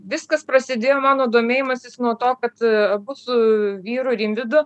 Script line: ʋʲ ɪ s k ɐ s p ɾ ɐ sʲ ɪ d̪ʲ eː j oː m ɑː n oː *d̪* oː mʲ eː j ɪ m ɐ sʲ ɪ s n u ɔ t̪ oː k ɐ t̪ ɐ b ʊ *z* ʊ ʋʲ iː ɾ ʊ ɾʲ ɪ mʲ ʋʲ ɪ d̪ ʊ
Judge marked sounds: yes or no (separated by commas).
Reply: yes, no